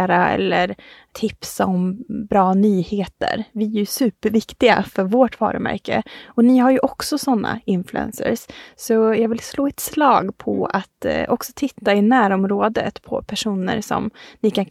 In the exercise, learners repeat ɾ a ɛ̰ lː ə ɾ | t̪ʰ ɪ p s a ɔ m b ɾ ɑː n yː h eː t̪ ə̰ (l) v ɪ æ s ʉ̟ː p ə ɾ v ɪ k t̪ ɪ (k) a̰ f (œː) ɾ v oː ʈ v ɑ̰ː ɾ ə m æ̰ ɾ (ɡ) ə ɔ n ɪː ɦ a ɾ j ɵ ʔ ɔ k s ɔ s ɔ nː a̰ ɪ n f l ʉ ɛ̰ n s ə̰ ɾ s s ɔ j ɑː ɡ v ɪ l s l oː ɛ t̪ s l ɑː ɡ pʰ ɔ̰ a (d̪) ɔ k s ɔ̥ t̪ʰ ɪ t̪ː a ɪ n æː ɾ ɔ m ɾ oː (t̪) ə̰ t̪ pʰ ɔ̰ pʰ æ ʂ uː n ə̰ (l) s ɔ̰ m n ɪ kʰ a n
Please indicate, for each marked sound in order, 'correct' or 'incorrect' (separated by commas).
incorrect, incorrect, incorrect, incorrect, incorrect, incorrect, incorrect